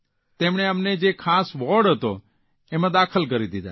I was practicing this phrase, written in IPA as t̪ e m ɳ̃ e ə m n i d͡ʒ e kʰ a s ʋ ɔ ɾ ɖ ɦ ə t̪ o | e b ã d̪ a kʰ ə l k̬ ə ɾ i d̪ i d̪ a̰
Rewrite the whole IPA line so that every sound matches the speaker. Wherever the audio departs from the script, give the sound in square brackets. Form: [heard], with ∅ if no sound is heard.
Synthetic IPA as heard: t̪ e m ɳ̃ e ə m n [e] d͡ʒ e kʰ a s ʋ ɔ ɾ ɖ ɦ ə t̪ o | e [m] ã d̪ a kʰ ə l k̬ ə ɾ i d̪ i d̪ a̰